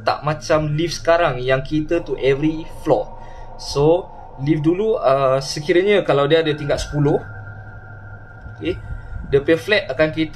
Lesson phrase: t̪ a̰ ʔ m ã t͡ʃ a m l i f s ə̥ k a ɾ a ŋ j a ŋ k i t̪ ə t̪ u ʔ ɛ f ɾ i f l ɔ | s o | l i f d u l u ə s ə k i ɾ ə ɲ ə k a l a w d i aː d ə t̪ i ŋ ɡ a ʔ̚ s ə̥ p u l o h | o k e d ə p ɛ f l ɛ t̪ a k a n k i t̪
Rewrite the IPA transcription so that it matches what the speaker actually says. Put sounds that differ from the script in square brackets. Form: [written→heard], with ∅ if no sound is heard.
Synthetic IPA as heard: t̪ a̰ ʔ m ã t͡ʃ a m l i f s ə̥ k a ɾ a ŋ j a ŋ k i t̪ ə t̪ u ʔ ɛ [f→v] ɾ i f l ɔ | s o | l i f d u l u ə s ə k i ɾ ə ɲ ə k a l a w d i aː d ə t̪ i ŋ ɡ a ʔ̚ s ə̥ p u l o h | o k e d ə p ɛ f l ɛ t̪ a k a n k i t̪